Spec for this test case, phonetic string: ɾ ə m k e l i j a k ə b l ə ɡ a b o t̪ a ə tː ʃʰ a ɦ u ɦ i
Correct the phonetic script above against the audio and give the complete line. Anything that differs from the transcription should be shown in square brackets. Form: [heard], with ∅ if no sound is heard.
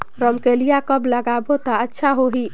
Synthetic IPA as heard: ɾ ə m k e l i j a k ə b l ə ɡ a b o t̪ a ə tː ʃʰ a ɦ [o] ɦ i